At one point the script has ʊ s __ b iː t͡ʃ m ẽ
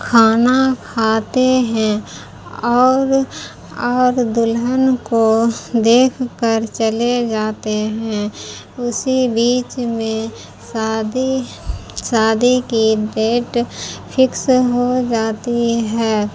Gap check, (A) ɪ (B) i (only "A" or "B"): B